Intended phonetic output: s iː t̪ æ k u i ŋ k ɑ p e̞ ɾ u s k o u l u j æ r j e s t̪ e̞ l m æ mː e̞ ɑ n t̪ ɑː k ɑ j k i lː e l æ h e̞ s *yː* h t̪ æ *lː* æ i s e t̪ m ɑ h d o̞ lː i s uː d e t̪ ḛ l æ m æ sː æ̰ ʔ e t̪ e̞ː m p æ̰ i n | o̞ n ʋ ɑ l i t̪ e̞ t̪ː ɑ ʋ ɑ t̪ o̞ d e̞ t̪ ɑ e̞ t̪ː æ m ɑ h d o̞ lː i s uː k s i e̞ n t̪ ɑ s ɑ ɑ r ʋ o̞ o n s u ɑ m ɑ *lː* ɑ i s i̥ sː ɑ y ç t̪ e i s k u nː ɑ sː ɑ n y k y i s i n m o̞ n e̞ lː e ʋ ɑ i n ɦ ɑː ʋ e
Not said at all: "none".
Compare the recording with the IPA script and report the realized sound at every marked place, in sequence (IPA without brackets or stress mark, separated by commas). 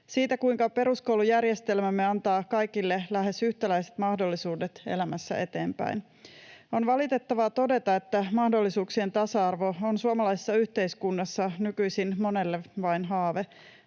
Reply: y, l, l